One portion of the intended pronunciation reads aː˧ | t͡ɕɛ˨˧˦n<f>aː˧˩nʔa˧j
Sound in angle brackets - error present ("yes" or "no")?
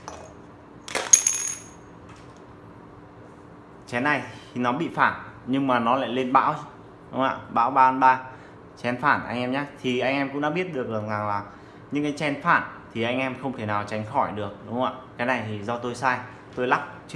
no